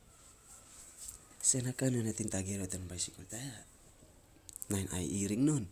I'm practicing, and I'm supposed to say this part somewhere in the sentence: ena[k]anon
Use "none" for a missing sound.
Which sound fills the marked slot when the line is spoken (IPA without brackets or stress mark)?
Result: k